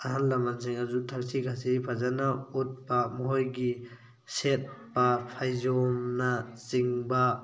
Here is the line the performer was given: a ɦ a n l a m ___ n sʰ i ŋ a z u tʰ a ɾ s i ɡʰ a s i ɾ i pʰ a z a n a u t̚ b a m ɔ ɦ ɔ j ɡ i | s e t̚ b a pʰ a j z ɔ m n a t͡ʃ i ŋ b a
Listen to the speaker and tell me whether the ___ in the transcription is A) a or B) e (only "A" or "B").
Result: A